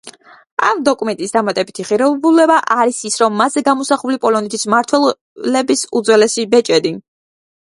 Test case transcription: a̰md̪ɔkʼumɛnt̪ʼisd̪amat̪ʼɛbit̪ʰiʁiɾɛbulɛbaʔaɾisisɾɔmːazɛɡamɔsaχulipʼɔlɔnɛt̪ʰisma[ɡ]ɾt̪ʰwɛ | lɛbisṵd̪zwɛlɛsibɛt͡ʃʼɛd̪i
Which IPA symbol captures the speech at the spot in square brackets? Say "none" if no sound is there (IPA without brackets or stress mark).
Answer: none